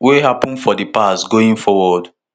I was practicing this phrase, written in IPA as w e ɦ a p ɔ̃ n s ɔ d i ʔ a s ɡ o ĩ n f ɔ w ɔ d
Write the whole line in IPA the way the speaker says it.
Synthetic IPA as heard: w e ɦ a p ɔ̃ n f ɔ d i p a s ɡ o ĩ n f ɔ w ɔ d